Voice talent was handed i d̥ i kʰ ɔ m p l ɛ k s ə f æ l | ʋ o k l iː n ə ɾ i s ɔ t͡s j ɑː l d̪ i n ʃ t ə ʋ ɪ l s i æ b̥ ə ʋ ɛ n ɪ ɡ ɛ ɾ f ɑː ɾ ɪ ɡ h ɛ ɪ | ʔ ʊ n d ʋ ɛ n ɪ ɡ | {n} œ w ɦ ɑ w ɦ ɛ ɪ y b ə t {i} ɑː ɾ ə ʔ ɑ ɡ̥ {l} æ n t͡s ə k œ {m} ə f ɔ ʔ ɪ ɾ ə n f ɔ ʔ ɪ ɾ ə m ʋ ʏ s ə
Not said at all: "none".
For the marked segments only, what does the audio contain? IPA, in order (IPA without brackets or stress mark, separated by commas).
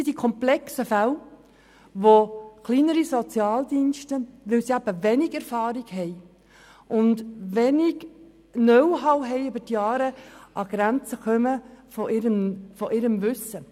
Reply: n, j, ɾ, m